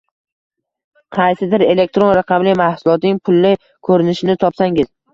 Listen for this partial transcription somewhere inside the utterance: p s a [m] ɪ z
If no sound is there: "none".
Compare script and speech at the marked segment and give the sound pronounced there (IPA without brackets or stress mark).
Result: ŋ